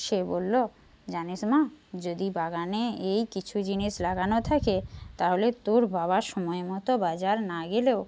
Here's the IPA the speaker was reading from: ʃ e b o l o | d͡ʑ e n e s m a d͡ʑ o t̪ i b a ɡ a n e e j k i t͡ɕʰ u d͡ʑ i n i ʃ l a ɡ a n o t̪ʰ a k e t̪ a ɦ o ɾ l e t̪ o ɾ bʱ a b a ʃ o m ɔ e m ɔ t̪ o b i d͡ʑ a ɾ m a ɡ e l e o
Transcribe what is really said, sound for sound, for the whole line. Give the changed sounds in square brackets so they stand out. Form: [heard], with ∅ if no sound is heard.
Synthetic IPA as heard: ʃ e b o [lː] o | d͡ʑ [a] n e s m a d͡ʑ o [d̪] i b a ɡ a n e e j k i t͡ɕʰ u d͡ʑ i n i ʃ l a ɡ a n o t̪ʰ a k e t̪ a ɦ o [∅] l e t̪ o ɾ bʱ a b a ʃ [ɔ] m ɔ e m ɔ t̪ o b [a] d͡ʑ a ɾ [n] a ɡ e l e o